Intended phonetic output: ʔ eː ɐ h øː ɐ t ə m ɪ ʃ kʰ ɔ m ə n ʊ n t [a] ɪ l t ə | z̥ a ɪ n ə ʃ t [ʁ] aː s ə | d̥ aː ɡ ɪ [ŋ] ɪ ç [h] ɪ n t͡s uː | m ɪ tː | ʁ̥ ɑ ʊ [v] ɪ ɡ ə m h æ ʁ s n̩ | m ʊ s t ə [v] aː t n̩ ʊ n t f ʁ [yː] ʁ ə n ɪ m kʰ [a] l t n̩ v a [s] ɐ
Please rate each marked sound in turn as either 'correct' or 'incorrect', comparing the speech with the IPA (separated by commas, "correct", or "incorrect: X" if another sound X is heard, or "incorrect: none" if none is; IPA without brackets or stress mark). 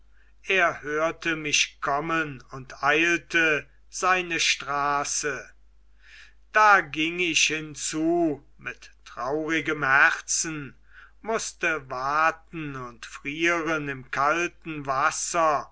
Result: correct, correct, correct, correct, incorrect: ʁ, correct, incorrect: iː, correct, correct